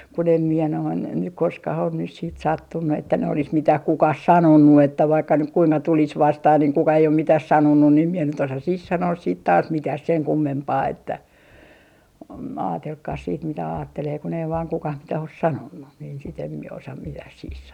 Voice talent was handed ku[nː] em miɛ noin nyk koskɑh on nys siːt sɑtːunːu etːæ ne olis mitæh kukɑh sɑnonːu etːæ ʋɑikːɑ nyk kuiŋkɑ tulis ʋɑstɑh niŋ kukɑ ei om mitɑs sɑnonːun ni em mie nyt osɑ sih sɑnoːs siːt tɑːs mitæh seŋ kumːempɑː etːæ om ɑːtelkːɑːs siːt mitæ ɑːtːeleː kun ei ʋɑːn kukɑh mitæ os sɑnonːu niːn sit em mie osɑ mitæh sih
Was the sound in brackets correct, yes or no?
no